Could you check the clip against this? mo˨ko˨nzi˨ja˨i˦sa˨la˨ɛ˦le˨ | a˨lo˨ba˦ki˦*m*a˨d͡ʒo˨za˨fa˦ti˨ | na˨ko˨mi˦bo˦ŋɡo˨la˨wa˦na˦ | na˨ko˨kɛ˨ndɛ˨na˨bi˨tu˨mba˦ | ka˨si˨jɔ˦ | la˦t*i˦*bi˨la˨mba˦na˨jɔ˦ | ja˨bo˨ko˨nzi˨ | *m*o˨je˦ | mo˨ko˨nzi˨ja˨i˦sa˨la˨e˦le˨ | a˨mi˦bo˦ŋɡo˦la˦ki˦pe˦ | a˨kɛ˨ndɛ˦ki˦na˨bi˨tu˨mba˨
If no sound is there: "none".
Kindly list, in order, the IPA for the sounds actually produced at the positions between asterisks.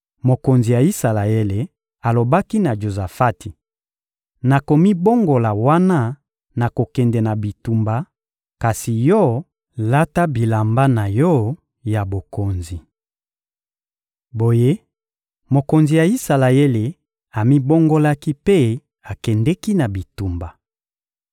n, a˦, b

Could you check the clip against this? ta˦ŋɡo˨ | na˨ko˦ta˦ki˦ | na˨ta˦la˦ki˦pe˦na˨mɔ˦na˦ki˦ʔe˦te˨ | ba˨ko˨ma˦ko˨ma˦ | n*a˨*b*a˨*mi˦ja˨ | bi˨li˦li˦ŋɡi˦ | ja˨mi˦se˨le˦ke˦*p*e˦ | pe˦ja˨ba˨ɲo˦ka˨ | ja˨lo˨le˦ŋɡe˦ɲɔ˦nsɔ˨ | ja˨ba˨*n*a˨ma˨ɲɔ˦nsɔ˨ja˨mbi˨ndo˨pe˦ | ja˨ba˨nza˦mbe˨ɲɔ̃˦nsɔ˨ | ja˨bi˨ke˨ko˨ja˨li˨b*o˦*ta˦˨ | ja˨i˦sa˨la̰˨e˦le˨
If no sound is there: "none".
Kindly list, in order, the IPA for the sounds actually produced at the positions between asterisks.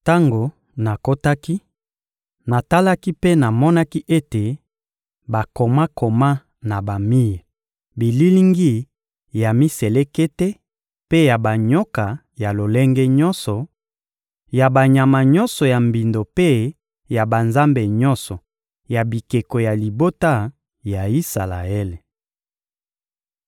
a˨, a˨, t, ɲ, o˦

